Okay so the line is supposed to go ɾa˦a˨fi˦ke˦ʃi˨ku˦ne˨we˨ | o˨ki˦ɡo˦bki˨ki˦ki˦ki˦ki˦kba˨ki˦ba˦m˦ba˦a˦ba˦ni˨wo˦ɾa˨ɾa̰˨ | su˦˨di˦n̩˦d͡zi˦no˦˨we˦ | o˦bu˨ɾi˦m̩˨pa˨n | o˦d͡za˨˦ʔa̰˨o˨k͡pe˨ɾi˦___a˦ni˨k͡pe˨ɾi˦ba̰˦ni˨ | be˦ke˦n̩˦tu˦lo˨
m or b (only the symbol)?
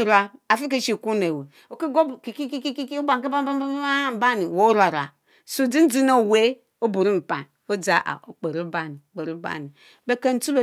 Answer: b